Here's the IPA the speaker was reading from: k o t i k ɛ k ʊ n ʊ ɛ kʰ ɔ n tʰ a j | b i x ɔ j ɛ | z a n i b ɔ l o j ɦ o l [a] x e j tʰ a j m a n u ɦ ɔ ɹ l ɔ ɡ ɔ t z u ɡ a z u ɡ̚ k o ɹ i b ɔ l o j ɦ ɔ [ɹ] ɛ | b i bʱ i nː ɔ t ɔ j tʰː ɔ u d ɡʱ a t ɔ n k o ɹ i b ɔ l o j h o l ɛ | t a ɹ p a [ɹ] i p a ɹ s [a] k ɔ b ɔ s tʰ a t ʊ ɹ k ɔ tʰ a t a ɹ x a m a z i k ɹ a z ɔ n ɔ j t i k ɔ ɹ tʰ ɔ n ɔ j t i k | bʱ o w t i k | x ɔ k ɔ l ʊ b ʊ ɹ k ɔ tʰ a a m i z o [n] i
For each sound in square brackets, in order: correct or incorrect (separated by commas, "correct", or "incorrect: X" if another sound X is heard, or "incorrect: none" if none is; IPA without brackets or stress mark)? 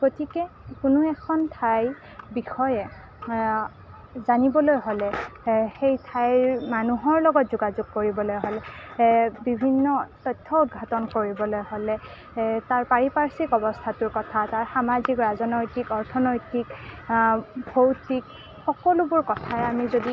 incorrect: ɛ, incorrect: l, correct, incorrect: i, incorrect: d